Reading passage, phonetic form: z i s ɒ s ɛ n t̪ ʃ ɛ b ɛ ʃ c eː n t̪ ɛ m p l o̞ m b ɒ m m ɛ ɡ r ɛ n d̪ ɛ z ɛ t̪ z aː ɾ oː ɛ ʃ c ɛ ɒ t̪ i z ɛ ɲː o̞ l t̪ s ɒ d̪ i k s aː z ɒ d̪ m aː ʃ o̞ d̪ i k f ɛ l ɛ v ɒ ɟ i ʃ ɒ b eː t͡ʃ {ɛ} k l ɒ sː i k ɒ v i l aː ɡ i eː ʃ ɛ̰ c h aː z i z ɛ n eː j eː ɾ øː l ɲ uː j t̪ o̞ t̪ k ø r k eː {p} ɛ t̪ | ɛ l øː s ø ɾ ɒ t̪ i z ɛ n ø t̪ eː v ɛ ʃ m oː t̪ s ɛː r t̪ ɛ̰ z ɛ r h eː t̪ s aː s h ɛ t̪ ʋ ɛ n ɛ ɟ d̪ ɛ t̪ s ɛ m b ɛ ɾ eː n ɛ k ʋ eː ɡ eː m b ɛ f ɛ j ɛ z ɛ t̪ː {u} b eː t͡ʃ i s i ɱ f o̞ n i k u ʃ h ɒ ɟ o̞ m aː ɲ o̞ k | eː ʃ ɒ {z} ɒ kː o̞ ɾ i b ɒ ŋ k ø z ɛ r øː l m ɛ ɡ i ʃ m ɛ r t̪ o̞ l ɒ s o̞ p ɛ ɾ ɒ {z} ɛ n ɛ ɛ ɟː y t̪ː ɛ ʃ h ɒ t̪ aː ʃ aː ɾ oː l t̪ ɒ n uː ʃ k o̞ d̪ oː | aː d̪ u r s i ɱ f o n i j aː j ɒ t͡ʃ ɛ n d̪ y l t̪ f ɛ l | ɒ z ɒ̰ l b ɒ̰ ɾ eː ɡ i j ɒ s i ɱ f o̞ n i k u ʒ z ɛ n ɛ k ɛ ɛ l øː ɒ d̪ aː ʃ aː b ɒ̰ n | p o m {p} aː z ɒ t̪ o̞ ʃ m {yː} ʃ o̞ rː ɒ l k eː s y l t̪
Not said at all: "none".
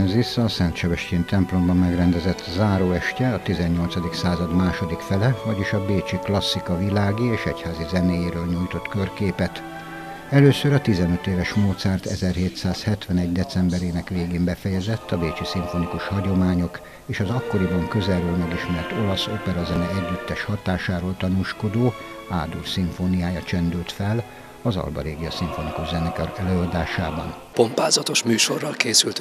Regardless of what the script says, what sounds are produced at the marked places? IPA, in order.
i, p, ɒ, z, z, p, yː

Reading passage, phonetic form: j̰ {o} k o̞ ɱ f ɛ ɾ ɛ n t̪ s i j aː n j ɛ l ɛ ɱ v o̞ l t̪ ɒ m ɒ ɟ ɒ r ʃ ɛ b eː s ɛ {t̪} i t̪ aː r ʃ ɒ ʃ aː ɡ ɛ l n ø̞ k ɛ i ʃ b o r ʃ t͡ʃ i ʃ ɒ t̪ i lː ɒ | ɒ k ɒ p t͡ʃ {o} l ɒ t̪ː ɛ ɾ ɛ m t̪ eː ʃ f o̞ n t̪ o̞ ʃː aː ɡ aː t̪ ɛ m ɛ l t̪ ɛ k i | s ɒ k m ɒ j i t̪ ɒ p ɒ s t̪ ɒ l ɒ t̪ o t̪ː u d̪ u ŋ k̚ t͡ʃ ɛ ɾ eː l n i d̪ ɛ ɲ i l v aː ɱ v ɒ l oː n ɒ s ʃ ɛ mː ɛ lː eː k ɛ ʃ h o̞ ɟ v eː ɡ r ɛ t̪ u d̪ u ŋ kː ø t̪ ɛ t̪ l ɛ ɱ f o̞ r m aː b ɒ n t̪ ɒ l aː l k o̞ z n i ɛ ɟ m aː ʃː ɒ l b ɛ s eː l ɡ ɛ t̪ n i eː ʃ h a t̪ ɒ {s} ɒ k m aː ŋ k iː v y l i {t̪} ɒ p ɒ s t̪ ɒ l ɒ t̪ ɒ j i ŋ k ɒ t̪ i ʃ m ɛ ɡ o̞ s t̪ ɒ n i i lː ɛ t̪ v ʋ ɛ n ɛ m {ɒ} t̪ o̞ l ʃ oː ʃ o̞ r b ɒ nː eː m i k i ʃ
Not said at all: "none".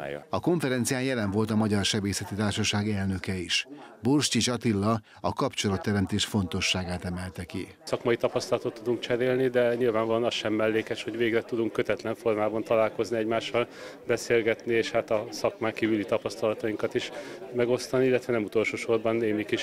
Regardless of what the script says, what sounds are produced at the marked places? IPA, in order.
ɒ, t̪, o, s, t̪, u

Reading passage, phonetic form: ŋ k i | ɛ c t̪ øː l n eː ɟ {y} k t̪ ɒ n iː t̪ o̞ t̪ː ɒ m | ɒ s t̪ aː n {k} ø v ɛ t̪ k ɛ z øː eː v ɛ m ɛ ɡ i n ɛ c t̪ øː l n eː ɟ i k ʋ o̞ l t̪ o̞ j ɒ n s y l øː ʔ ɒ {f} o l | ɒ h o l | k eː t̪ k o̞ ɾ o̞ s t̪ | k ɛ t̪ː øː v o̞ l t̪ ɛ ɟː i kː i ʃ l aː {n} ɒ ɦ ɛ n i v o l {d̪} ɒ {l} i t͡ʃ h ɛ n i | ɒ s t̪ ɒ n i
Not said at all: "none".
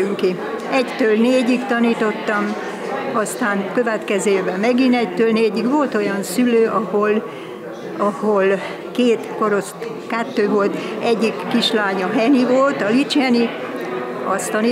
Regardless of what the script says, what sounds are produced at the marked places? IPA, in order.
i, k, h, ɲ, t̪, l

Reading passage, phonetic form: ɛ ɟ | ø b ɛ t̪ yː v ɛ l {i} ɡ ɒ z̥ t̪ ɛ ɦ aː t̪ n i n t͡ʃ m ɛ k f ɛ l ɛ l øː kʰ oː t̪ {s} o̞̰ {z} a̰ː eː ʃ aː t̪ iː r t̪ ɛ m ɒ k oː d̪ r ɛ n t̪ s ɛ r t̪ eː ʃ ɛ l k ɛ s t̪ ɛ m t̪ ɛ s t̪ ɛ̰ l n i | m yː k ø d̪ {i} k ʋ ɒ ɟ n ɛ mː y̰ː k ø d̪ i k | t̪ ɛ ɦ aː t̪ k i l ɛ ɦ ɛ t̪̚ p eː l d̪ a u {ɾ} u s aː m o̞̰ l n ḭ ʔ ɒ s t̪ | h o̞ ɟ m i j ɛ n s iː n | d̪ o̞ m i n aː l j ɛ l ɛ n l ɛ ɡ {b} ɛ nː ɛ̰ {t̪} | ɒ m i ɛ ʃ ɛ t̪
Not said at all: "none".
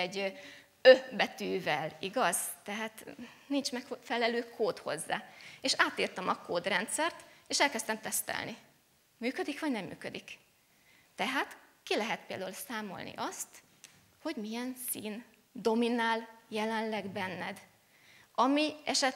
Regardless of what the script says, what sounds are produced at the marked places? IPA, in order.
i, h, zː, i, l, b, d̪

